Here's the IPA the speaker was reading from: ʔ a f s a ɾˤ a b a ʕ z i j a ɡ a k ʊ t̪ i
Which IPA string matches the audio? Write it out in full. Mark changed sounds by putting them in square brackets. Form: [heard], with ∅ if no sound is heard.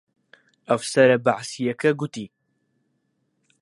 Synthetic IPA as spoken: ʔ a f s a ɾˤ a b a ʕ [s] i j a [k] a [ɡ] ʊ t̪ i